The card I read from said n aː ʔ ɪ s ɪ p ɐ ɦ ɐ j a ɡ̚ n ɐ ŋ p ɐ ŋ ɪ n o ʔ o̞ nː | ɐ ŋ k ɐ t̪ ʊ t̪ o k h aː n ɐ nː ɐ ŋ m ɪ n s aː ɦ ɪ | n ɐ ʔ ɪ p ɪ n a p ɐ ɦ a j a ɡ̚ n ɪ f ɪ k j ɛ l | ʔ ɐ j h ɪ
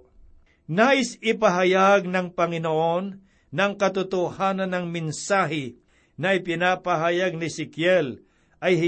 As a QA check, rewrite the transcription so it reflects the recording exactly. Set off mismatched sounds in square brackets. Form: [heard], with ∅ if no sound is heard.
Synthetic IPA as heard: n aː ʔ ɪ s ɪ p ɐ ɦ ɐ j a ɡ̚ n ɐ ŋ p ɐ ŋ ɪ n o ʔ o̞ nː | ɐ ŋ k ɐ t̪ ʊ t̪ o [∅] h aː n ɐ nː ɐ ŋ m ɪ n s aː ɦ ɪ | n ɐ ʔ ɪ p ɪ n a p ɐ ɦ a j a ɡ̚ n ɪ [s] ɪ k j ɛ l | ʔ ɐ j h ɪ